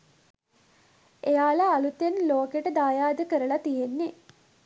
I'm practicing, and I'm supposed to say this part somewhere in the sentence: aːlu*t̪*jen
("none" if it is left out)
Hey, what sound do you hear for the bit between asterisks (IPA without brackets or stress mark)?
t̪